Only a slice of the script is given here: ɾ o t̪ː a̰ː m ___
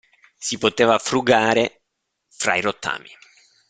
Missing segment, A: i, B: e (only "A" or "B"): A